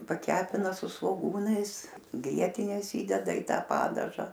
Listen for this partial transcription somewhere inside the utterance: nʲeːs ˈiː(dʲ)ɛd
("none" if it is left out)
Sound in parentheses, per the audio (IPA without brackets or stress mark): dʲ